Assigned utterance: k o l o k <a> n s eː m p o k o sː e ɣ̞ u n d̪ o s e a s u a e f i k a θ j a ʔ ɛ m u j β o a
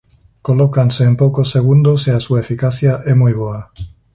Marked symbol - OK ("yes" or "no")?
yes